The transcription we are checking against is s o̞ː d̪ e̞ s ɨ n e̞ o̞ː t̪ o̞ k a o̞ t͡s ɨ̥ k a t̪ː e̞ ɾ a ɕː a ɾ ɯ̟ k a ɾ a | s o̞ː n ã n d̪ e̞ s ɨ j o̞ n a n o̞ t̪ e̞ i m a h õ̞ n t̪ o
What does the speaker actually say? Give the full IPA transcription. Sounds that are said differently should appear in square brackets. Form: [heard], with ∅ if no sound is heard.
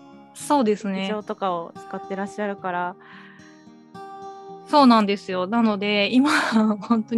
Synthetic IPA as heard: s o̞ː d̪ e̞ s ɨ n e̞ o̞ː t̪ o̞ k a o̞ t͡s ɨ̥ k a t̪ː e̞ ɾ a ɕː a ɾ ɯ̟ k a ɾ a | s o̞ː n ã n d̪ e̞ s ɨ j o̞ n a n o̞ [d̪] e̞ i m a h õ̞ n t̪ o